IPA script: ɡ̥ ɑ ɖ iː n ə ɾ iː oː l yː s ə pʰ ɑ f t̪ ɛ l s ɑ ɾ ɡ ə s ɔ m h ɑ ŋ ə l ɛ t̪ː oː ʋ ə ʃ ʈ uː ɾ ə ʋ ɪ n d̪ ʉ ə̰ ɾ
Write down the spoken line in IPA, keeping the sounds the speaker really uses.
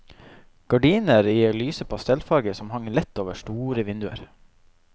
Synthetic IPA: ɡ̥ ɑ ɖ iː n ə ɾ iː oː l yː s ə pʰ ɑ s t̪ ɛ l f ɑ ɾ ɡ ə s ɔ m h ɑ ŋ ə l ɛ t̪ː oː ʋ ə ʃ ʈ uː ɾ ə ʋ ɪ n d̪ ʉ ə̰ ɾ